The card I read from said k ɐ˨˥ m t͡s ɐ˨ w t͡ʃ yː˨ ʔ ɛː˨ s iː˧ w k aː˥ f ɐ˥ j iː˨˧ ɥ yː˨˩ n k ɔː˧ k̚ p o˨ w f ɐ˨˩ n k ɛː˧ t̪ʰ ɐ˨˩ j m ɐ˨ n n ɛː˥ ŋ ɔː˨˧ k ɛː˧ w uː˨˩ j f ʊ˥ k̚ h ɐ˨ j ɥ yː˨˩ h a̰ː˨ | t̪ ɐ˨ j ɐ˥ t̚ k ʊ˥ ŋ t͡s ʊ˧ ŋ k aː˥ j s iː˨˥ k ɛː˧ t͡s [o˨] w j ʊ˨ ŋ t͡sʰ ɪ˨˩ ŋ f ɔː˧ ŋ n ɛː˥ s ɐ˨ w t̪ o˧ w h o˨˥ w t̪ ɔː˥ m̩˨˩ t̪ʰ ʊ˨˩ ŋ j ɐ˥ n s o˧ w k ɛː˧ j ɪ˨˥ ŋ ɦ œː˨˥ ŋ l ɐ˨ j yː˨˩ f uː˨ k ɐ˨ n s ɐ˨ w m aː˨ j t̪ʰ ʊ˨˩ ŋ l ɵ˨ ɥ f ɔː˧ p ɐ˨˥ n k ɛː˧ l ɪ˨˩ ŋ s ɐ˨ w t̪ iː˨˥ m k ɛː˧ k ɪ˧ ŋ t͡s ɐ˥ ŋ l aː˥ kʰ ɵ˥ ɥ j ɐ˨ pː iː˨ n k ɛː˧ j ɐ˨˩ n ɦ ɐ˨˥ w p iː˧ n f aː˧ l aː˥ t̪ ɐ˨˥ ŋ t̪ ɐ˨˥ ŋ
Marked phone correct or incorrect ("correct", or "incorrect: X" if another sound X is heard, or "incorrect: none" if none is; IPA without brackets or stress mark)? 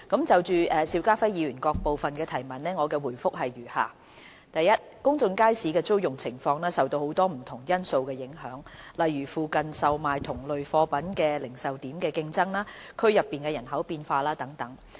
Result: incorrect: o˥